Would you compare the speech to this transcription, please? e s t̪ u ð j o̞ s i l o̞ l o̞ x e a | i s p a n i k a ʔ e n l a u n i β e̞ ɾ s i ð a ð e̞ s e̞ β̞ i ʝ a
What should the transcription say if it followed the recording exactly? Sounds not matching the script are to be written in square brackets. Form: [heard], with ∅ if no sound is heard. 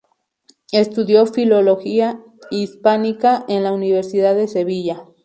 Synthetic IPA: e s t̪ u ð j o̞ [f] i l o̞ l o̞ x [i] a | i s p a n i k a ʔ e n l a u n i β e̞ ɾ s i ð a ð e̞ s e̞ β̞ i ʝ a